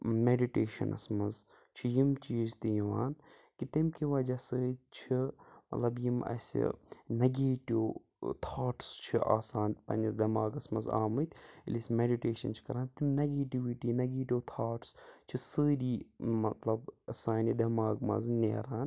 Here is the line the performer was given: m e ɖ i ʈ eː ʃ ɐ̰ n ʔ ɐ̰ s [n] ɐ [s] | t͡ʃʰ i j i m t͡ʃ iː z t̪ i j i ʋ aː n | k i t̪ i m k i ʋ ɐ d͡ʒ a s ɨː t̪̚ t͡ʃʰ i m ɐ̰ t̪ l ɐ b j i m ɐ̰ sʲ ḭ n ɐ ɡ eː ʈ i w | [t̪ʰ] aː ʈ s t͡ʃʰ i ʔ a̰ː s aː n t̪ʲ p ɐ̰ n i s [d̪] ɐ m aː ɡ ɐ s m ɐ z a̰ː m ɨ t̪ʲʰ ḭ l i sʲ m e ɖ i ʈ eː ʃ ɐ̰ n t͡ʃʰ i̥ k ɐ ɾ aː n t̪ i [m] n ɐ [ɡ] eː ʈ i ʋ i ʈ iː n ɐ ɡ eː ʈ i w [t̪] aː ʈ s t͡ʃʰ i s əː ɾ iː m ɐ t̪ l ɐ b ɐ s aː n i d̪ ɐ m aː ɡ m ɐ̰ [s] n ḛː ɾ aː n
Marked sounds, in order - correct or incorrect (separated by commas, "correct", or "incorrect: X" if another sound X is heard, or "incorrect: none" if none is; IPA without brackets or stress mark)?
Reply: incorrect: m, incorrect: z, correct, correct, correct, correct, incorrect: t̪ʰ, incorrect: z